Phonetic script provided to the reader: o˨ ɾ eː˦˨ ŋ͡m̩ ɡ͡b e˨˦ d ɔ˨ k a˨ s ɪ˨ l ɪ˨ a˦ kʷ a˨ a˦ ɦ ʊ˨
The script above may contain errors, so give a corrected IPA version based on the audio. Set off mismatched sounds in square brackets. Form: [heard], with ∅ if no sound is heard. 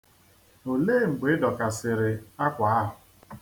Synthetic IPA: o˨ [l] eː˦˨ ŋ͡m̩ ɡ͡b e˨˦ d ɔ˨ k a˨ s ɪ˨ [ɾ] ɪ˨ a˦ kʷ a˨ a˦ ɦ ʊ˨